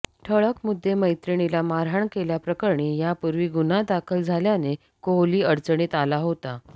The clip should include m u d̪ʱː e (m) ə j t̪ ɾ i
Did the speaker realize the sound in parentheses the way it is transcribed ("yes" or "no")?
yes